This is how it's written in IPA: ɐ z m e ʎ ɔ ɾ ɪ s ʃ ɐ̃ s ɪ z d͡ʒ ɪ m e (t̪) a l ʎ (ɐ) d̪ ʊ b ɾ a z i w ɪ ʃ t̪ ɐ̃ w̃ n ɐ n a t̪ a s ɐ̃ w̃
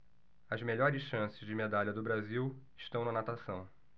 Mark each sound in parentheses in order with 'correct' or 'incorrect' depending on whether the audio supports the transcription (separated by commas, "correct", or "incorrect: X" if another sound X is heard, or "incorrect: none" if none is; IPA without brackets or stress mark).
incorrect: d̪, correct